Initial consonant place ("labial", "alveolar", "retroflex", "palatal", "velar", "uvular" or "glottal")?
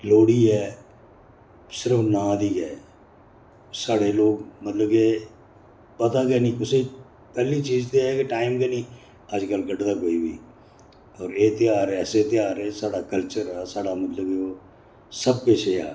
alveolar